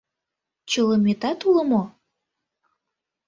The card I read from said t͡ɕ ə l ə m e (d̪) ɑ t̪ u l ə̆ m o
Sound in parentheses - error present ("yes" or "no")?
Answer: yes